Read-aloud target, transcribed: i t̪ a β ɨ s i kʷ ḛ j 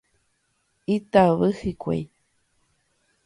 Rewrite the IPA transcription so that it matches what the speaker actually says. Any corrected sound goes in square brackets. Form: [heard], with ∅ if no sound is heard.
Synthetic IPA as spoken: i t̪ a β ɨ [h] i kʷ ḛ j